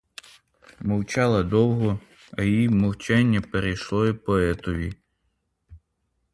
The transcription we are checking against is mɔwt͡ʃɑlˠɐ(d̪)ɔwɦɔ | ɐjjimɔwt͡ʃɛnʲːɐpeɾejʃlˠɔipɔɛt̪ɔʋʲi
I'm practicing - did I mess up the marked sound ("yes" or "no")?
no